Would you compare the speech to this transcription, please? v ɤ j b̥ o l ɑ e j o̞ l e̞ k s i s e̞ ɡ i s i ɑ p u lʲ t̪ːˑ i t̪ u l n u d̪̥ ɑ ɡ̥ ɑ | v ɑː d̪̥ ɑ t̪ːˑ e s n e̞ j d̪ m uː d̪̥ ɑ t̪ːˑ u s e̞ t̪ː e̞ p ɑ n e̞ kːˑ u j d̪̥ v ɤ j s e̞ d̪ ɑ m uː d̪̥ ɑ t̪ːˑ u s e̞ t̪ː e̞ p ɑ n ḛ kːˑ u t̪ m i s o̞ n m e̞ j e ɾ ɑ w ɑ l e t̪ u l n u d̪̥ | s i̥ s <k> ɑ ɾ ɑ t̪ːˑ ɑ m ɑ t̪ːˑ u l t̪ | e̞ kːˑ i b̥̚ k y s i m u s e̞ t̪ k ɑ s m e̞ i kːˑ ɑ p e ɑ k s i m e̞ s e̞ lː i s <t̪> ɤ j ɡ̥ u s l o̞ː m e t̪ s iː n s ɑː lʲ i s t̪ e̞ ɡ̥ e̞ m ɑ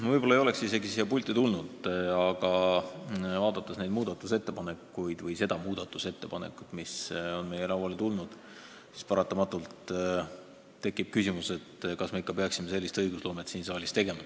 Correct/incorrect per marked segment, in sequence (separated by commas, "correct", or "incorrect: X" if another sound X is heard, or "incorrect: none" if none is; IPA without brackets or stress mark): incorrect: p, correct